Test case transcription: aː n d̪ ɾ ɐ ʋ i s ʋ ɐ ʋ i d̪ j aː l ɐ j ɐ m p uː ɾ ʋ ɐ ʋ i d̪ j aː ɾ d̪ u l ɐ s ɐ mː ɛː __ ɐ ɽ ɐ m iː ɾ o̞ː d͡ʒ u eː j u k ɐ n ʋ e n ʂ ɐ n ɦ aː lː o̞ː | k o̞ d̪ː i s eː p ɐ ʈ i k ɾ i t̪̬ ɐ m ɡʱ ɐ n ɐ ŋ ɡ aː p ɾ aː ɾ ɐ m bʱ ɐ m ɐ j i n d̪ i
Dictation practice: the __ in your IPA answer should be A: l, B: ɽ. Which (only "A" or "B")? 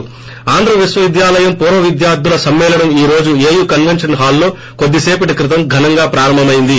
A